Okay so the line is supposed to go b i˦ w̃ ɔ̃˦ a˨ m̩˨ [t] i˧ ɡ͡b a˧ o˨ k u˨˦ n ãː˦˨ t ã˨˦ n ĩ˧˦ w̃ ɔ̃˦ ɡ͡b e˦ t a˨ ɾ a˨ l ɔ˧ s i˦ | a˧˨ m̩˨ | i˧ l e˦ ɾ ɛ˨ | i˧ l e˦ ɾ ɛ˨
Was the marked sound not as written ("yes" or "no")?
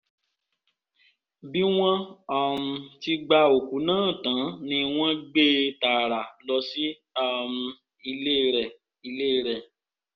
no